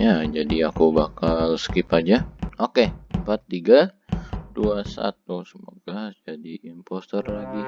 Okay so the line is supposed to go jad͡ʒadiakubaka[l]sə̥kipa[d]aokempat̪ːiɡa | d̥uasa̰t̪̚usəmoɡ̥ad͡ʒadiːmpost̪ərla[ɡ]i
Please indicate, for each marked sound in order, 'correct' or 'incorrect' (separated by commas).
correct, incorrect, correct